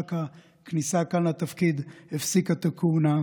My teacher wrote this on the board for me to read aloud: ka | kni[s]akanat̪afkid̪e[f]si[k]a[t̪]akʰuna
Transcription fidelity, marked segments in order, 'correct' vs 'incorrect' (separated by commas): correct, correct, correct, correct